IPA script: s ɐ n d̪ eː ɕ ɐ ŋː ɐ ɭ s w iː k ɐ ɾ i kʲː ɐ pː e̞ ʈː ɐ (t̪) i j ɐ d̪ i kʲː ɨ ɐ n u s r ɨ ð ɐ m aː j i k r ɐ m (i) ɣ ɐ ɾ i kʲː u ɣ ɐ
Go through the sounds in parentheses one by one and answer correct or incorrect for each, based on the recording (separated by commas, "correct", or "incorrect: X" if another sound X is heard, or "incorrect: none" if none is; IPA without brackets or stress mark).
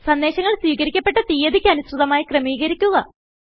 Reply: correct, incorrect: iː